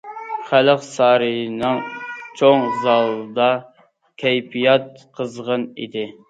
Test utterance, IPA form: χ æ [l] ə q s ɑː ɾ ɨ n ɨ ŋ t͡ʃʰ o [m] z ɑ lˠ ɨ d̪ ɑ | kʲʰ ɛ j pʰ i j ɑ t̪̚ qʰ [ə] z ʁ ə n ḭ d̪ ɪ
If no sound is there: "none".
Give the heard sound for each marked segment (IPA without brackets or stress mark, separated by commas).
l, ŋ, ə